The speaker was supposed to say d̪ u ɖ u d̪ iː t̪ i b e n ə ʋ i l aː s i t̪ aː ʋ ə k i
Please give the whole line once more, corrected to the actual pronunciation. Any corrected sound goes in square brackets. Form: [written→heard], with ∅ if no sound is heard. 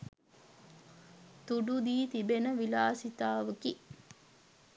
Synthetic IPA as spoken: [d̪→t̪] u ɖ u d̪ iː t̪ i b e n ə ʋ i l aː s i t̪ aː ʋ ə k i